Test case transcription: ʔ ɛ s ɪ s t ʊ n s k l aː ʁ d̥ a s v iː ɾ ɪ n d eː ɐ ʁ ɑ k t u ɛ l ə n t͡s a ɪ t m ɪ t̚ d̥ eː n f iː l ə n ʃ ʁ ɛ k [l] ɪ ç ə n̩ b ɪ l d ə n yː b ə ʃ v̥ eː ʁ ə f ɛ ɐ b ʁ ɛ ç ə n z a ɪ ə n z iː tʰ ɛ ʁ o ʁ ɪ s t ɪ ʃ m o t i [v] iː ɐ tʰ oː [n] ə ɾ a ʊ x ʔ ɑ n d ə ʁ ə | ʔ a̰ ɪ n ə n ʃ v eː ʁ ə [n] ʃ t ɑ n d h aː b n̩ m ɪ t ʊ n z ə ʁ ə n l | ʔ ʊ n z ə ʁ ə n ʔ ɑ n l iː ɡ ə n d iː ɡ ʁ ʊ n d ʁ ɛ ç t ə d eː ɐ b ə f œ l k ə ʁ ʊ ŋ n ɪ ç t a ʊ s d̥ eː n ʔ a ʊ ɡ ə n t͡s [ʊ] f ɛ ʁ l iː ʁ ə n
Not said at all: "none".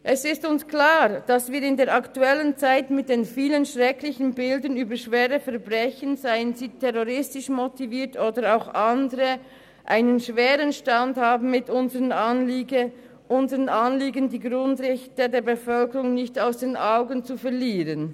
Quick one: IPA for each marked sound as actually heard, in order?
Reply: l, v, d, n, u

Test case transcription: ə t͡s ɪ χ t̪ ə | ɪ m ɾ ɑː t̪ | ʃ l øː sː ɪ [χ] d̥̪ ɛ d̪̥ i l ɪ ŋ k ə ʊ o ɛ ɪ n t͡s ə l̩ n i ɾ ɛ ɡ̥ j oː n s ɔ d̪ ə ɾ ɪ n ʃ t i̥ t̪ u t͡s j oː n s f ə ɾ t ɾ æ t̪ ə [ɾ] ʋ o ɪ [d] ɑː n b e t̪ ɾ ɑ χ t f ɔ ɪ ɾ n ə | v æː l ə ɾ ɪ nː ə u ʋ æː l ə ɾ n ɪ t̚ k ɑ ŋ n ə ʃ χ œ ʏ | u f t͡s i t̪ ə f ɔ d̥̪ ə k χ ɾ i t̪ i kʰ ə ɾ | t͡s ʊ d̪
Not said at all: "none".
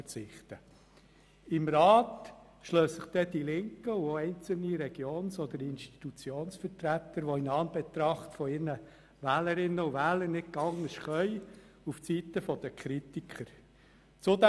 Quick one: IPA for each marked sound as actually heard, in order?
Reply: χ, ɾ, n

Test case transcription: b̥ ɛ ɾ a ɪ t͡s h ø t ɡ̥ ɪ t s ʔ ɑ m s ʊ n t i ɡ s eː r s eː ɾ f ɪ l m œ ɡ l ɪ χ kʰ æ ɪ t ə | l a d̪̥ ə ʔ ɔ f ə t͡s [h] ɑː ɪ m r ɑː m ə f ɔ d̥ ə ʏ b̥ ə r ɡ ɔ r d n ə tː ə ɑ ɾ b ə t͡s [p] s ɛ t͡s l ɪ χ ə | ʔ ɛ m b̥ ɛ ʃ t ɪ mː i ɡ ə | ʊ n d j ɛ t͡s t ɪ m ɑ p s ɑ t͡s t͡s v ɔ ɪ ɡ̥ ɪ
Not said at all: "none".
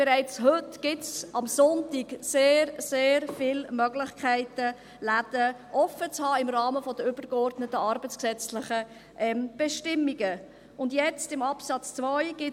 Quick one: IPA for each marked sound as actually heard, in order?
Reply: h, k

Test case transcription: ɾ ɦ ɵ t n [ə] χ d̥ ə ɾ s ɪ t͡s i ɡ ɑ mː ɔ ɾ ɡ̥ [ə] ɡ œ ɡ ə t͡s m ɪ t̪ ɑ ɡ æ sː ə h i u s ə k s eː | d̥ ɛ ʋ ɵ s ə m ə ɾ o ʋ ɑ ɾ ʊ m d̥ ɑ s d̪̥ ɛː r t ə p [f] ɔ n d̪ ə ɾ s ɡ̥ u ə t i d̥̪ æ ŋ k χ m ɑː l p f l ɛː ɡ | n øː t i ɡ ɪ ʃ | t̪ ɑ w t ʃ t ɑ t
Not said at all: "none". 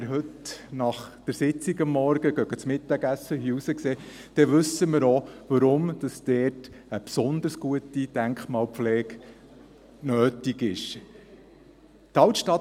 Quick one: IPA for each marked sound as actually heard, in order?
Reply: ɑ, ə, s

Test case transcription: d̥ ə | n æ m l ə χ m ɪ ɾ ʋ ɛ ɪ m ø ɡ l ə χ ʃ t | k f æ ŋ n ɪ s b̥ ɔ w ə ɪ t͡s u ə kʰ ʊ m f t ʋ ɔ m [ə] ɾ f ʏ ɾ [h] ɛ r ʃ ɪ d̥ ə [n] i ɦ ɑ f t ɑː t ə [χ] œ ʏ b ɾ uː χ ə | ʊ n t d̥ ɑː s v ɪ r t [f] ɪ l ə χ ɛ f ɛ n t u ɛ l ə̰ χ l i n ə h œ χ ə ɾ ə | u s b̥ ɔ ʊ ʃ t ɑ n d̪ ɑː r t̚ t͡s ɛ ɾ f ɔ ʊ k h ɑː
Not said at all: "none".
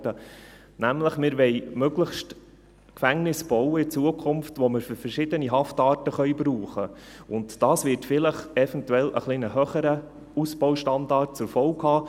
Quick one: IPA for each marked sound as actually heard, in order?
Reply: ə, f, n, χ, f

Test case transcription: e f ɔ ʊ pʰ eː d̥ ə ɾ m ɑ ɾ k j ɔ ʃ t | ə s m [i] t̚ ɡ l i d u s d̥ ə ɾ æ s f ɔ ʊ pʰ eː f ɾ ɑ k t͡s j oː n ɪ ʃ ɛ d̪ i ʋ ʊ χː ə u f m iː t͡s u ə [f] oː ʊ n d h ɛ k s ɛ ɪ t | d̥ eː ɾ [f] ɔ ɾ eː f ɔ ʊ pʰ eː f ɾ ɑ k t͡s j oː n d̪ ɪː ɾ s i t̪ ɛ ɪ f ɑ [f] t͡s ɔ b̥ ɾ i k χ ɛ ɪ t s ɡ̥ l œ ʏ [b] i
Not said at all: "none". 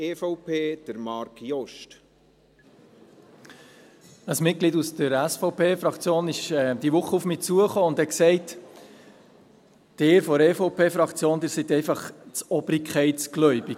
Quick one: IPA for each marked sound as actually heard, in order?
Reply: ɪ, χ, f, χ, b

